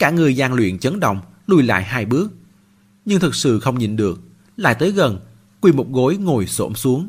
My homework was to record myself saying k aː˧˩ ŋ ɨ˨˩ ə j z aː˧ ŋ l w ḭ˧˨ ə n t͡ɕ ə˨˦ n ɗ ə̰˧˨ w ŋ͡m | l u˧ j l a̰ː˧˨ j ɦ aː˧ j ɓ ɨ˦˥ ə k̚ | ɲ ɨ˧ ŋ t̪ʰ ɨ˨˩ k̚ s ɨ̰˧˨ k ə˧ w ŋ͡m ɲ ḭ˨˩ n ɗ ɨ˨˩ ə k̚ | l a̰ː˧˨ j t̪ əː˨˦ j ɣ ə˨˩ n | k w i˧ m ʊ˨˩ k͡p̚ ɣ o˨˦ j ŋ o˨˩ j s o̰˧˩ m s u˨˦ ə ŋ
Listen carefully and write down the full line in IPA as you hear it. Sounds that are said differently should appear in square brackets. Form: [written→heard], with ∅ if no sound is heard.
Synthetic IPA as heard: k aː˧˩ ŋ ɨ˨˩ ə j z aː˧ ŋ l w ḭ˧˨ ə n t͡ɕ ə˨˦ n ɗ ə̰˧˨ w ŋ͡m | l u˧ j l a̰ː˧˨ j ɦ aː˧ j ɓ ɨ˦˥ ə k̚ | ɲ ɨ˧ ŋ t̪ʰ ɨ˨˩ k̚ s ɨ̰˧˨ [k→x] ə˧ w ŋ͡m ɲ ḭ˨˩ n ɗ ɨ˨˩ ə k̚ | l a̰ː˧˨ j t̪ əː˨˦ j ɣ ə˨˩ n | k w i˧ m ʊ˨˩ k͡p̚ ɣ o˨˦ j ŋ o˨˩ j s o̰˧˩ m s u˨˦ ə ŋ